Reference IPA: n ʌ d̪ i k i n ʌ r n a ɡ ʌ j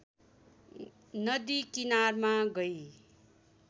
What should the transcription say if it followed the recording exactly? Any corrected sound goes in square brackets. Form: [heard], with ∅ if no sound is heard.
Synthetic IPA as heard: n ʌ d̪ i k i n [a] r [m] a ɡ ʌ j